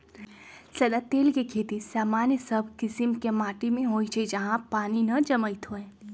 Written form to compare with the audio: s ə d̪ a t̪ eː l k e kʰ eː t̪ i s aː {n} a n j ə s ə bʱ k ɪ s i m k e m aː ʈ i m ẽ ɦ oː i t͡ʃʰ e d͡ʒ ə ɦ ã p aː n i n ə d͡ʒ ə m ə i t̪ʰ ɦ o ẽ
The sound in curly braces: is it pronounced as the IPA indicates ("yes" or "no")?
no